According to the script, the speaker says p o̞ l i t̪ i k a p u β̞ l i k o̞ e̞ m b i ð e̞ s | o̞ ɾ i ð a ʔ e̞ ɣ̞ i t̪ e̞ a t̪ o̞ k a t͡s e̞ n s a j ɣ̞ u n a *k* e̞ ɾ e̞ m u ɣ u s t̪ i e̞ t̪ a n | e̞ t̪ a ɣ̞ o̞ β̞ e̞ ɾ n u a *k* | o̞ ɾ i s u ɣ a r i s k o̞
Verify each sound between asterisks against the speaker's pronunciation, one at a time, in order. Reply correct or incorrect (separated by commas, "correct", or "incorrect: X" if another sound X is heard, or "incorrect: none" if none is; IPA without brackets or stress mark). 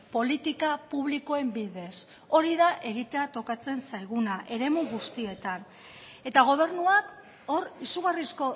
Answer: incorrect: ʔ, correct